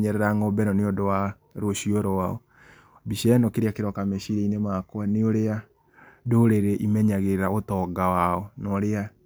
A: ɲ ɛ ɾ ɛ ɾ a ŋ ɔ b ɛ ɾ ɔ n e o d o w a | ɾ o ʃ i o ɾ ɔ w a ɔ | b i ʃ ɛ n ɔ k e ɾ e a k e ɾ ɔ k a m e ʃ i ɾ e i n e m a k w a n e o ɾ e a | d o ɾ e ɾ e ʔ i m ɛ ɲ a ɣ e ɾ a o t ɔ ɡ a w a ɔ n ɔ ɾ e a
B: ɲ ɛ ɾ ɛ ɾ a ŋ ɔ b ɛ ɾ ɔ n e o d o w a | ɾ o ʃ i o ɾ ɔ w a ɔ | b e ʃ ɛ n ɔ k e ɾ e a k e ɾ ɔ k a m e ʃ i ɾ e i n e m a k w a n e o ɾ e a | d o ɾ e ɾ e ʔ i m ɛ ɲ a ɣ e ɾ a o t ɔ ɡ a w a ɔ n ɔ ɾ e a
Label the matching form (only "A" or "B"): A